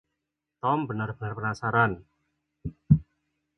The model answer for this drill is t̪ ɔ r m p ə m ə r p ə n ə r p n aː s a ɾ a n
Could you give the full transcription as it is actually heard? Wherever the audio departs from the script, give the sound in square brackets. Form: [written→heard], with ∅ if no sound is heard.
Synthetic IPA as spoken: t̪ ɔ [r→∅] m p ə [m→n] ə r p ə n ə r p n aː s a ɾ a n